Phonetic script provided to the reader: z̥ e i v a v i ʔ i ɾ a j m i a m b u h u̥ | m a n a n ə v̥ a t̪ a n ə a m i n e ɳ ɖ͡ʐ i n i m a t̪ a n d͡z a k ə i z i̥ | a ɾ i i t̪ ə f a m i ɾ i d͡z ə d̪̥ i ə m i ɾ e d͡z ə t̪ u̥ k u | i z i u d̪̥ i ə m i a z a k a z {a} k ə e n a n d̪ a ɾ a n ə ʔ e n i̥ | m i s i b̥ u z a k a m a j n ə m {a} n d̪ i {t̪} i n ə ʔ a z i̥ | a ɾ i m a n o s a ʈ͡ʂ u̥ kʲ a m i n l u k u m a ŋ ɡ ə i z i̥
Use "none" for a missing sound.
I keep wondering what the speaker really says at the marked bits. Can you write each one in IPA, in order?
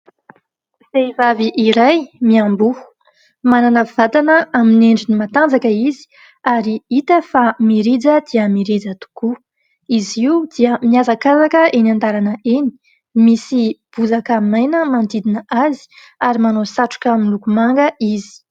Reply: a, a, d̪

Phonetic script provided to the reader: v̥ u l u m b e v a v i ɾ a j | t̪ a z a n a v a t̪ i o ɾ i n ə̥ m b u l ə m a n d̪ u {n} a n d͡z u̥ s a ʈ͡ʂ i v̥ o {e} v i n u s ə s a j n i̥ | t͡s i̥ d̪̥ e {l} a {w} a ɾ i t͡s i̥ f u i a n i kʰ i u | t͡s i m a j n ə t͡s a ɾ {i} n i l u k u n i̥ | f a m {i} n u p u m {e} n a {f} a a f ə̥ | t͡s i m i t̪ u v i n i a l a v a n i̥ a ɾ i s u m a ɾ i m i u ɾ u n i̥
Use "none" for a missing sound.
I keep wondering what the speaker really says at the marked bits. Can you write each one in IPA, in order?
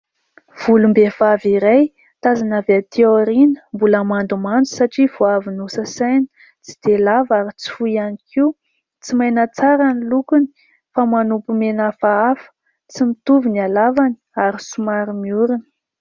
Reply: m, a, l, v, a, a, e, f

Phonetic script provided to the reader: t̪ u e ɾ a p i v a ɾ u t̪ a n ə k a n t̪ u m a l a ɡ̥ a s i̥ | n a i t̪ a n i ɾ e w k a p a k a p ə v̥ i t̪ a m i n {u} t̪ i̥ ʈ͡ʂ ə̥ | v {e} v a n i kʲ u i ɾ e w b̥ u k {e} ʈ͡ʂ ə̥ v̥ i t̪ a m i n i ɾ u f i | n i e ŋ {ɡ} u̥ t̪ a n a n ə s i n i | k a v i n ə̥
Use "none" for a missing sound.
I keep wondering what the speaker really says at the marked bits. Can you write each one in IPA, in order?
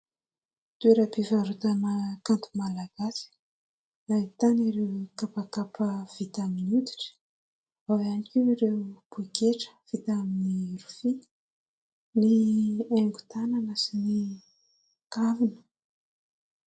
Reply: u, a, e, ɡ

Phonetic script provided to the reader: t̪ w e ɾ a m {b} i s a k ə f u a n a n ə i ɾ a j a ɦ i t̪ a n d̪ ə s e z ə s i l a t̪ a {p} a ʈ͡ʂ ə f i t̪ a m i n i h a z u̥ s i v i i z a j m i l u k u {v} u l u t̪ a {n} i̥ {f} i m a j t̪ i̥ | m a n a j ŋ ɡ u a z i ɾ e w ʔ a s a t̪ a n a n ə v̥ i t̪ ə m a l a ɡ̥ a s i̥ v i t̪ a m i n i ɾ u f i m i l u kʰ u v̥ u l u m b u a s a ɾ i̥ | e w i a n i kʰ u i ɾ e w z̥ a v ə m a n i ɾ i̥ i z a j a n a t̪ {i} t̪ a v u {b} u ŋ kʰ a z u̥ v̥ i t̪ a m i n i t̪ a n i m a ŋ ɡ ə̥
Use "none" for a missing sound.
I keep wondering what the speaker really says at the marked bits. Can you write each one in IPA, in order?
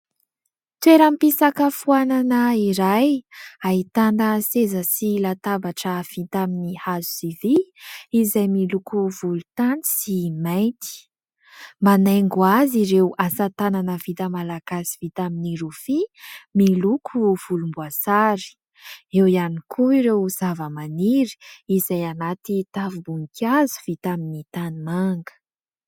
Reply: p, b, v, n, s, i, b

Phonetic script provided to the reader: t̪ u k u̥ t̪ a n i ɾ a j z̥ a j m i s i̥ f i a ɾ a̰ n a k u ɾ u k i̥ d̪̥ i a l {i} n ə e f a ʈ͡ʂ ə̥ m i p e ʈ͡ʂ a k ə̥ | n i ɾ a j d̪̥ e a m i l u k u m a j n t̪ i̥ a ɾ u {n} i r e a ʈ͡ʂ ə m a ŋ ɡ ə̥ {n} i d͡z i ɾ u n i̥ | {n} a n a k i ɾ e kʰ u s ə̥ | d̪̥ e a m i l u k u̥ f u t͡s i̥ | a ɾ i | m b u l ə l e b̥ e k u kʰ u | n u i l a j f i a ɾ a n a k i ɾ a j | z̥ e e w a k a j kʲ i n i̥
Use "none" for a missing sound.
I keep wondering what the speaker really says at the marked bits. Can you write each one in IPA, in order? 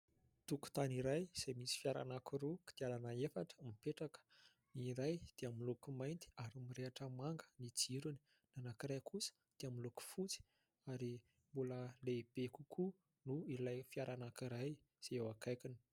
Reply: a, m, n, n

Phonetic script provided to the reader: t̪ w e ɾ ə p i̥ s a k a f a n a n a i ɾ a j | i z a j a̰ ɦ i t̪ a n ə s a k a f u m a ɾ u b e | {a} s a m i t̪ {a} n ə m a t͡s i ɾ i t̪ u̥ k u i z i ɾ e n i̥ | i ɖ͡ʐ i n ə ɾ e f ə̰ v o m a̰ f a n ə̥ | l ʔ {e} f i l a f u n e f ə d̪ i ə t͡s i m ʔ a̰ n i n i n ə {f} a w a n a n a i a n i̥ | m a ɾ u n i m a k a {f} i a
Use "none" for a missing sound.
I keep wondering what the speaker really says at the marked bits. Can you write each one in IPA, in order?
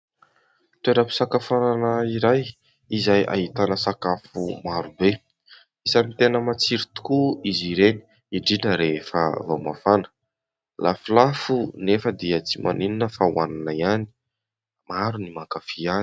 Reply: i, e, a, f, f

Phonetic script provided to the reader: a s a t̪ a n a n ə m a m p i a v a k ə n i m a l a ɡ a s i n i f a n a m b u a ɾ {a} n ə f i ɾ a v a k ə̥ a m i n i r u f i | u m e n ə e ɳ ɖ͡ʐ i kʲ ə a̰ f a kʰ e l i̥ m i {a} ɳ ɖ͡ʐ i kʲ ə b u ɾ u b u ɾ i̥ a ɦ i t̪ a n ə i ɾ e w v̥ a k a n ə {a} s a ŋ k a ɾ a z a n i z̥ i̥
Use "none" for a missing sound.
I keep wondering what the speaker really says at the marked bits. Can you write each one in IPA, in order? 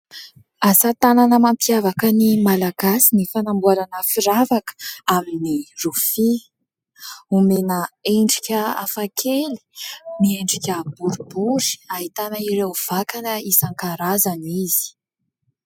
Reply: a, e, i

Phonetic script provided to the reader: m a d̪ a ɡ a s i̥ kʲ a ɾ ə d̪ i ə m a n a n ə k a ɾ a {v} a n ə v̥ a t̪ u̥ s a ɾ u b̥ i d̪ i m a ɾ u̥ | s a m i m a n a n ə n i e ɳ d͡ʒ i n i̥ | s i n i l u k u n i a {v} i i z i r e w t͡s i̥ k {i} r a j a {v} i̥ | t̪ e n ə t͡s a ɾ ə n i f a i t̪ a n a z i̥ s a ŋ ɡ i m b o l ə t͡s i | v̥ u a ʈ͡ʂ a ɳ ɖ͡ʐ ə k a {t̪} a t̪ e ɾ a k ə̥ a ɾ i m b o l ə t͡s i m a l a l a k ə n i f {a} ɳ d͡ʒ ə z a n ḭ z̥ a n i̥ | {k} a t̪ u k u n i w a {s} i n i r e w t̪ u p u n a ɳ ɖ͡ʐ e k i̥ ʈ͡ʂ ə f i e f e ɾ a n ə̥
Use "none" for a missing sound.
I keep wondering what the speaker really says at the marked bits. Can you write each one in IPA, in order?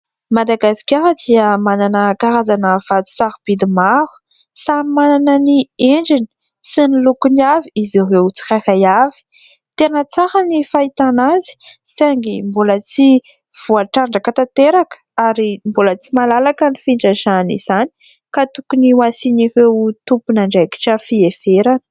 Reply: z, v, a, v, t̪, i, k, s

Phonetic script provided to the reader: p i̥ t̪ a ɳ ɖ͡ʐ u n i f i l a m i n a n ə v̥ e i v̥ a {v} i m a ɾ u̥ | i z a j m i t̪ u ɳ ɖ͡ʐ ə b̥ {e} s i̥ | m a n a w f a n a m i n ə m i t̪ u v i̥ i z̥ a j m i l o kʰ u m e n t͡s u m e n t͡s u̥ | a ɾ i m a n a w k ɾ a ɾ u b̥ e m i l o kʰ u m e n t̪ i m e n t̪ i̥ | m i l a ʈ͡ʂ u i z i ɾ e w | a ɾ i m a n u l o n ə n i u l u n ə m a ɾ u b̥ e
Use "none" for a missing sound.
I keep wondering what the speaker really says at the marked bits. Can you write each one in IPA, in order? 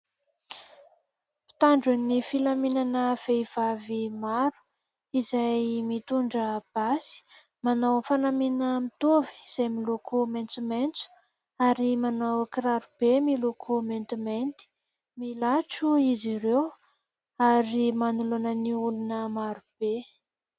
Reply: v, a

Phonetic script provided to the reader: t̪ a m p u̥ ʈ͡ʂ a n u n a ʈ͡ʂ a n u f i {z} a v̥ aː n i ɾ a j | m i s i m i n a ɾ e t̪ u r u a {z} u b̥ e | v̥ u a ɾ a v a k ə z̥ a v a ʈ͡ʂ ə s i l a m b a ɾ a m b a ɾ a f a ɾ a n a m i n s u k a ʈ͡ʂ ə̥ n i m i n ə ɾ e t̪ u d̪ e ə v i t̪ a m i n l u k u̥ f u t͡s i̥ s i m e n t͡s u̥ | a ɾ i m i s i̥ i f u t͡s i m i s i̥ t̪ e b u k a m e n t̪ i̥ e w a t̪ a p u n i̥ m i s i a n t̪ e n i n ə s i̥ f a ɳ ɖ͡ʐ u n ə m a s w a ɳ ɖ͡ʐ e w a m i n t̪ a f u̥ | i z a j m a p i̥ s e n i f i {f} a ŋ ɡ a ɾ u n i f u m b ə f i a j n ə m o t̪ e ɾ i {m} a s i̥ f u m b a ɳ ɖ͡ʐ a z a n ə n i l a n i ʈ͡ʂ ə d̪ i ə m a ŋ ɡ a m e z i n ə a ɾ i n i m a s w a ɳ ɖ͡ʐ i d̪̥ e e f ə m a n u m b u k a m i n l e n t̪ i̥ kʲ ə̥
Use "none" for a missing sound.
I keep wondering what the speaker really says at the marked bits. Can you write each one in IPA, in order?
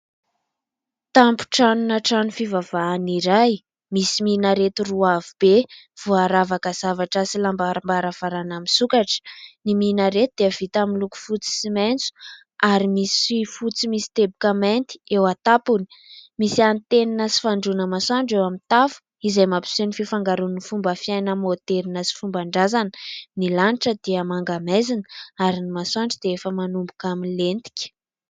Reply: v, v, f, n

